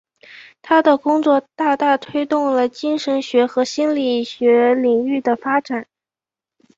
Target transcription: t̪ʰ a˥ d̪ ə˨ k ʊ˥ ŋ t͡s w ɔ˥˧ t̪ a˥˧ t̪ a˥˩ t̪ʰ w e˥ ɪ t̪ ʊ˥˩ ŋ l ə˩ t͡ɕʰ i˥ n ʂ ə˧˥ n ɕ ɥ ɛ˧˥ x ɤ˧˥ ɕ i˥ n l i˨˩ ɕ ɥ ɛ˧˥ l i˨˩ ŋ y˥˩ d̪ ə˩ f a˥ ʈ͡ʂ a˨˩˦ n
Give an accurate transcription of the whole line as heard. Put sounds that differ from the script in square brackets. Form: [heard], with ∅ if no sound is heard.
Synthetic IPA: t̪ʰ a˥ d̪ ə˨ k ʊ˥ ŋ t͡s w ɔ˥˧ t̪ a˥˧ t̪ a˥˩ t̪ʰ w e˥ ɪ t̪ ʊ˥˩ ŋ l ə˩ [t͡ɕ] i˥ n ʂ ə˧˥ n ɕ ɥ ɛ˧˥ x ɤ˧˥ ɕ i˥ n l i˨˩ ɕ ɥ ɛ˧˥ l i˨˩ ŋ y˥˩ d̪ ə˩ f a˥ ʈ͡ʂ a˨˩˦ n